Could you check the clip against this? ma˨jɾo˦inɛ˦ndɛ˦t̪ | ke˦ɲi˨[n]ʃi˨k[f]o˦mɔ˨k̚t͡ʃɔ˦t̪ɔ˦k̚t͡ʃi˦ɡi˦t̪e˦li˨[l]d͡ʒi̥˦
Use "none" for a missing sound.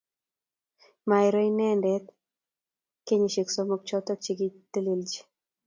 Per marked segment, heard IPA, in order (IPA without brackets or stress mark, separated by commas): none, s, l